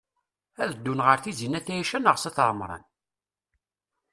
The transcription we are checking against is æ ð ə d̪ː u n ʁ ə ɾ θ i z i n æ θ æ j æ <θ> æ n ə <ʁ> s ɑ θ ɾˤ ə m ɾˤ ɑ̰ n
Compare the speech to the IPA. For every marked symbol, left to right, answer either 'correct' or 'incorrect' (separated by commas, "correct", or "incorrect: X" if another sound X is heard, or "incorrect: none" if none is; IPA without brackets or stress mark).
incorrect: ʃ, correct